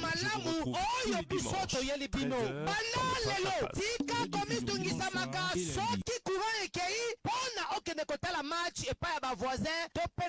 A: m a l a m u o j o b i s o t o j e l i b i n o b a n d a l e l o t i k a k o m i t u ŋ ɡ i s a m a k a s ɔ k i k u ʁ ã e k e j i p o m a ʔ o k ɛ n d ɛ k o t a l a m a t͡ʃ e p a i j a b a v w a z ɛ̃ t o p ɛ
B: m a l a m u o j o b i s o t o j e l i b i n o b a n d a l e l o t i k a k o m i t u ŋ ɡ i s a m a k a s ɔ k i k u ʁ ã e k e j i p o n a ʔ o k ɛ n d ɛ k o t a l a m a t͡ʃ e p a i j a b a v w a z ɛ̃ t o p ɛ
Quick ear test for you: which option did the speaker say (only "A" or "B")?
B